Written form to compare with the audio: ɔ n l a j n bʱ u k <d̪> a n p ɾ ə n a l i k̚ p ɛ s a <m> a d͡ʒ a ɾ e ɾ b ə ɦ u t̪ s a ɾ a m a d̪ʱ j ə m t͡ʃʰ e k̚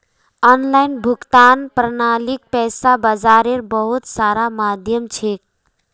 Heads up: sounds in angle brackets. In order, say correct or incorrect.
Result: incorrect: t̪, incorrect: b

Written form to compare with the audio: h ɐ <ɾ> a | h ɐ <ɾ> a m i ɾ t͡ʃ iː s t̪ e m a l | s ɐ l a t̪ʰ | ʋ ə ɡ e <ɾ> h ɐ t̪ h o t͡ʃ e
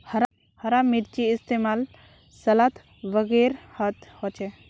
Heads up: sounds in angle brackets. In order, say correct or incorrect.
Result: correct, correct, correct

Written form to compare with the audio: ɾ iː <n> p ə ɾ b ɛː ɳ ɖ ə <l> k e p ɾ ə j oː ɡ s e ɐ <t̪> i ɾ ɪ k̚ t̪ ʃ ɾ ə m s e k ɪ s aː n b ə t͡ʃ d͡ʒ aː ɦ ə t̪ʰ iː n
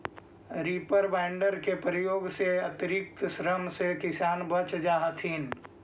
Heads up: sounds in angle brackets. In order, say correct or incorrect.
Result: incorrect: none, incorrect: ɾ, correct

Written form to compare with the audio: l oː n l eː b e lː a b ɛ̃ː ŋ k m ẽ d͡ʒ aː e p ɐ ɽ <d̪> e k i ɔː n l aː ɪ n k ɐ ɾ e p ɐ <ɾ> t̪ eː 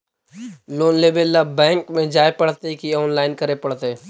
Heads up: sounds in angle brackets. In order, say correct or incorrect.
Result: incorrect: t̪, incorrect: ɽ

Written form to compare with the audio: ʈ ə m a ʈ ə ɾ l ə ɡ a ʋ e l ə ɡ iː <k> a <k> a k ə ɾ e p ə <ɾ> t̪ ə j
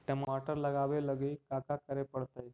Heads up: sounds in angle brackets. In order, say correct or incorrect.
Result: correct, correct, incorrect: ɽ

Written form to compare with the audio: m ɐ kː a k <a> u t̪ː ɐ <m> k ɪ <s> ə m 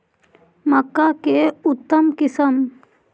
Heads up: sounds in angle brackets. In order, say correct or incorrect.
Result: incorrect: e, correct, correct

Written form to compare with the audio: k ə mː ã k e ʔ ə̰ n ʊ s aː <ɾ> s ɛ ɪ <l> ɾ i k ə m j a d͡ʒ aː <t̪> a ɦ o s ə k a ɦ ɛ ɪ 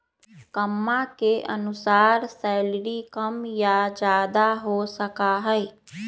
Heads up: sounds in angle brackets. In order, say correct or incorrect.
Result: correct, correct, incorrect: d̪

